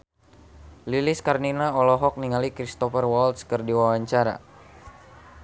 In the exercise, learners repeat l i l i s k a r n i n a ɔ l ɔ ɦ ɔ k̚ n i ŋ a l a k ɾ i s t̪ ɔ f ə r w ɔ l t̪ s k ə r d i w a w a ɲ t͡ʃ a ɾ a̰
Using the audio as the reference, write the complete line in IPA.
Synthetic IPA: l i l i s k a r n i n a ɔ l ɔ ɦ ɔ k̚ n i ŋ a l i k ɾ i s t̪ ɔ f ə r w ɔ l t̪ s k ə r d i w a w a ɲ t͡ʃ a ɾ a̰

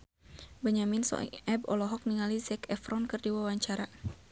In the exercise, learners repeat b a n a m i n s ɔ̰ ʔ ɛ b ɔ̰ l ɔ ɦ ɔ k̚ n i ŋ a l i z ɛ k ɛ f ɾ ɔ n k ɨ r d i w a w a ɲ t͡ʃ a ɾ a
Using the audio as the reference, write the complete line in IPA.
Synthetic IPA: b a ɲ a m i n s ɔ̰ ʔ ɛ b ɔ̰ l ɔ ɦ ɔ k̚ n i ŋ a l i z ɛ k ɛ f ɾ ɔ n k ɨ r d i w a w a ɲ t͡ʃ a ɾ a

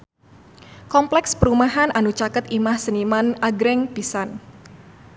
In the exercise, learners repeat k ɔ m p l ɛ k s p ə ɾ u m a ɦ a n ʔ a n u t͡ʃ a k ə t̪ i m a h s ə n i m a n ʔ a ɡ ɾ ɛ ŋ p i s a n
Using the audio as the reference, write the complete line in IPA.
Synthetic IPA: k ɔ m p l ɛ k s p ə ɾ u m a ɦ a n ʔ a n u t͡ʃ a k ə t̪ i m a h s ə n i m a n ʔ a ɡ ɾ ɛ ŋ p i s a n

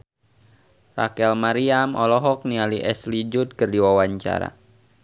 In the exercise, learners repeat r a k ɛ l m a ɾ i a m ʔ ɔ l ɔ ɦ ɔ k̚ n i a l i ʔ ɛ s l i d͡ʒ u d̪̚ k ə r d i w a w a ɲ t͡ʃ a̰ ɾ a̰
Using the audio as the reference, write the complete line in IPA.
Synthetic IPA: r a k ɛ l m a ɾ i a m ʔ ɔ l ɔ ɦ ɔ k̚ n i a l i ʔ ɛ s l i d͡ʒ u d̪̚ k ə r d i w a w a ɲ t͡ʃ a̰ ɾ a̰

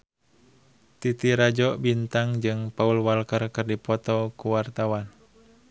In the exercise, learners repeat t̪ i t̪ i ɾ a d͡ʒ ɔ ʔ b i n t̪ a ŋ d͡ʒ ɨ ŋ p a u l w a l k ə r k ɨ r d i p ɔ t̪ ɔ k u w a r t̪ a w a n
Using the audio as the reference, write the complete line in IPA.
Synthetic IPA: t̪ i t̪ i ɾ a d͡ʒ ɔ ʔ b i n t̪ a ŋ d͡ʒ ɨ ŋ p a u l w a l k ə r k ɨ r d i p ɔ t̪ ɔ k u w a r t̪ a w a n

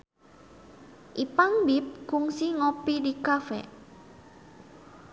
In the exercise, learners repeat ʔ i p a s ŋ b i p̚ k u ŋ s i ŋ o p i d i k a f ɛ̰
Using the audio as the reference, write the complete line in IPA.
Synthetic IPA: ʔ i p a ŋ b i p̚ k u ŋ s i ŋ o p i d i k a f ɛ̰

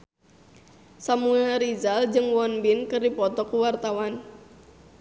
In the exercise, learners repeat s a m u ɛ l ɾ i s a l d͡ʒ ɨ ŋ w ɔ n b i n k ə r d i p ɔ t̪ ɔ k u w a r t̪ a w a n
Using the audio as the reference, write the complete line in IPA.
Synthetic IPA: s a m u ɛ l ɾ i z a l d͡ʒ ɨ ŋ w ɔ n b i n k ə r d i p ɔ t̪ ɔ k u w a r t̪ a w a n

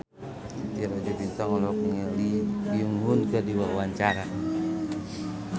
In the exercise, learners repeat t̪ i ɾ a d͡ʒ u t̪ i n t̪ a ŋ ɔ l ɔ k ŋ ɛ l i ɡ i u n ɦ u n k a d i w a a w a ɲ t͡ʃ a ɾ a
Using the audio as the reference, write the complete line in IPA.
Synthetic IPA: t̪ i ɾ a d͡ʒ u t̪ i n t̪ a ŋ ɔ l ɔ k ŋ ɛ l i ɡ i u ŋ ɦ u n k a d i w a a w a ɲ t͡ʃ a ɾ a

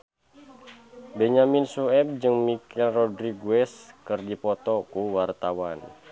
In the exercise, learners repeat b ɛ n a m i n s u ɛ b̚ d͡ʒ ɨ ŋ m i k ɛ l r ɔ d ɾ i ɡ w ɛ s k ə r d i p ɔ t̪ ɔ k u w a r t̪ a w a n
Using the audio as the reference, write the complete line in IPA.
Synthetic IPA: b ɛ ɲ a m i n s u ɛ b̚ d͡ʒ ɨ ŋ m i k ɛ l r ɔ d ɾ i ɡ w ɛ s k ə r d i p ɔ t̪ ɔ k u w a r t̪ a w a n

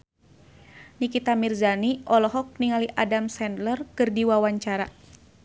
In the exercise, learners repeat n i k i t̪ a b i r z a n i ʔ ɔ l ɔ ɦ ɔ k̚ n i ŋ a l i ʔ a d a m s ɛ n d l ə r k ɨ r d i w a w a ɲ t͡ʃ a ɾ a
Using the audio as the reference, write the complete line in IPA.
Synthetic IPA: n i k i t̪ a m i r z a n i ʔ ɔ l ɔ ɦ ɔ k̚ n i ŋ a l i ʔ a d a m s ɛ n d l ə r k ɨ r d i w a w a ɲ t͡ʃ a ɾ a

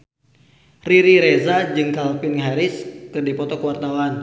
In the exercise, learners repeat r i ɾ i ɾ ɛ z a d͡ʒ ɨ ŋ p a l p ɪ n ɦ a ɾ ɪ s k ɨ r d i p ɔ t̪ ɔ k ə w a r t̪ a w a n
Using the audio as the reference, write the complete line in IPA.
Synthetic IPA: r i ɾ i ɾ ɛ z a d͡ʒ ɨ ŋ k a l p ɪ n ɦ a ɾ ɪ s k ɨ r d i p ɔ t̪ ɔ k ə w a r t̪ a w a n

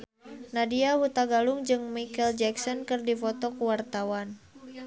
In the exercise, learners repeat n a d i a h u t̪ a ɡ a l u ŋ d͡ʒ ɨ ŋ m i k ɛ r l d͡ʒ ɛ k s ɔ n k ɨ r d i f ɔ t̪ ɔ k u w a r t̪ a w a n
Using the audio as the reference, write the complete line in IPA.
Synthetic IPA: n a d i a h u t̪ a ɡ a l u ŋ d͡ʒ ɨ ŋ m i k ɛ l d͡ʒ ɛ k s ɔ n k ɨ r d i f ɔ t̪ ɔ k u w a r t̪ a w a n

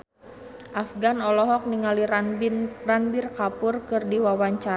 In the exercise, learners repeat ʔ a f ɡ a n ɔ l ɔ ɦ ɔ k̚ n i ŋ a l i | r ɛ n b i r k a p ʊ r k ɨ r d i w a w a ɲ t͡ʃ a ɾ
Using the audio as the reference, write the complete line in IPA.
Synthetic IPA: ʔ a f ɡ a n ɔ l ɔ ɦ ɔ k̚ n i ŋ a l i | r a n b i r k a p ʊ r k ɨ r d i w a w a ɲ t͡ʃ a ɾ

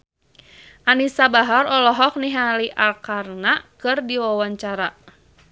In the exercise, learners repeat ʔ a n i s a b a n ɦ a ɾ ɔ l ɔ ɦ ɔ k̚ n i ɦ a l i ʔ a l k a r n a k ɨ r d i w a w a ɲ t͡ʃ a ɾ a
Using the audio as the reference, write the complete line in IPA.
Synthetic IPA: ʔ a n i s a b a ɦ a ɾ ɔ l ɔ ɦ ɔ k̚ n i ɦ a l i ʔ a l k a r n a k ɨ r d i w a w a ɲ t͡ʃ a ɾ a

